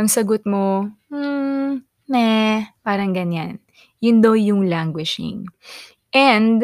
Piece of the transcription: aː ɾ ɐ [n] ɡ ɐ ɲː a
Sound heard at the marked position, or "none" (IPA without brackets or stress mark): ŋ